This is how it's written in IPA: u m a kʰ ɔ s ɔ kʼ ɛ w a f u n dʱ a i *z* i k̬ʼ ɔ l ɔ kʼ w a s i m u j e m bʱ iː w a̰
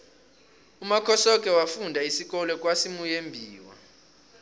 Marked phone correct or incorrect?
incorrect